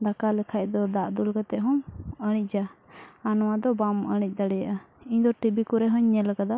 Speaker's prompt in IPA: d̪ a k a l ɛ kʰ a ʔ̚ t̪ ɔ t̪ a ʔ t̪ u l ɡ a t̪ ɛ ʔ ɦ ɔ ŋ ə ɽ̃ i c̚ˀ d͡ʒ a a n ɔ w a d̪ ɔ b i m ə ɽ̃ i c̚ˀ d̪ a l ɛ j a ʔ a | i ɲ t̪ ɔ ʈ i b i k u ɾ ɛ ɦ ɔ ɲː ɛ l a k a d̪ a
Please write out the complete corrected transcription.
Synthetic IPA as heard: d̪ a k a l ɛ kʰ a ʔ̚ d̪ ɔ d̪ a ʔ d̪ u l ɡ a t̪ ɛ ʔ ɦ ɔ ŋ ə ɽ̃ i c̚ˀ d͡ʒ a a n ɔ w a d̪ ɔ b a m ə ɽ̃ i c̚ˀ d̪ a ɽ ɛ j a ʔ a | i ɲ d̪ ɔ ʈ i b i k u ɾ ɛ ɦ ɔ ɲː ɛ l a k a d̪ a